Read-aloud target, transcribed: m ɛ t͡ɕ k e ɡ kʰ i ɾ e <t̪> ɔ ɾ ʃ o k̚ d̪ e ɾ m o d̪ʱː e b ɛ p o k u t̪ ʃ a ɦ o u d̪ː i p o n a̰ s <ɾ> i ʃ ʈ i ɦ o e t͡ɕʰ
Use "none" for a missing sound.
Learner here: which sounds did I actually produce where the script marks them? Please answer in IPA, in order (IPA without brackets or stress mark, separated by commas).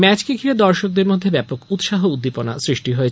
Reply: d̪, ɾ